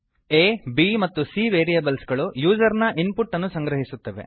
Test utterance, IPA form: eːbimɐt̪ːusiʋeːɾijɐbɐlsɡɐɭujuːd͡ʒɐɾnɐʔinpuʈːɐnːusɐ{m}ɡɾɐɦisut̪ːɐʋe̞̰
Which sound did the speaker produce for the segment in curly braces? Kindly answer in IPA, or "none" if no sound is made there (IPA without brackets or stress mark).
ŋ